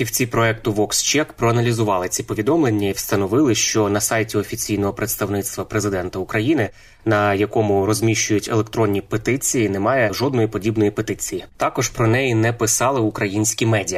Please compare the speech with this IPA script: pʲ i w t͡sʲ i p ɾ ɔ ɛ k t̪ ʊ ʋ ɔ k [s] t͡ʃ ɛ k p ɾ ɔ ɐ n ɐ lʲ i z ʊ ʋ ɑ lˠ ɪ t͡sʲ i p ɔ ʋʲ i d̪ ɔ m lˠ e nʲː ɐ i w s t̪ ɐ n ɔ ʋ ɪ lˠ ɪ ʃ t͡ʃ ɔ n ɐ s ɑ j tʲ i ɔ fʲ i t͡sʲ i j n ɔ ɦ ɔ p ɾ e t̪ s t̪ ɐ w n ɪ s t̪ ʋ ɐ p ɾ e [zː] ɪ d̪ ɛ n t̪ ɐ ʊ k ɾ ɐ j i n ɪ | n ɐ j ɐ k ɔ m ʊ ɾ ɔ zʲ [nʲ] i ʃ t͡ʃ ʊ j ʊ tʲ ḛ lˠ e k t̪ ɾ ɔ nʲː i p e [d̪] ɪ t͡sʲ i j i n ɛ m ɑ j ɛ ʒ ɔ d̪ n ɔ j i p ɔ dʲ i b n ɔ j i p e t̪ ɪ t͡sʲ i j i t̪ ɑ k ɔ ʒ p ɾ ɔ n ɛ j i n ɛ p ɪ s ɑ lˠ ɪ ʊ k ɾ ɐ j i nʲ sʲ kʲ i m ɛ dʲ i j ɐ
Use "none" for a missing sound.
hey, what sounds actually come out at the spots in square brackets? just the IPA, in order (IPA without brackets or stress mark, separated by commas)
s, z, mʲ, t̪